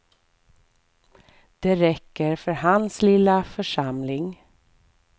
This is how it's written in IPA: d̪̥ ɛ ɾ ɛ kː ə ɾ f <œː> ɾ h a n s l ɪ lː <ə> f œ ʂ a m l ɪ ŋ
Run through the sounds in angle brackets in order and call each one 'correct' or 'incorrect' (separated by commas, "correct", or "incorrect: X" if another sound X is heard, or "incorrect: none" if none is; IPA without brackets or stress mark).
incorrect: œ, incorrect: a